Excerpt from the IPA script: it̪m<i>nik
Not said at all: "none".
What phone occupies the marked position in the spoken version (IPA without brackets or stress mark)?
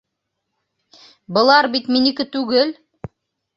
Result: i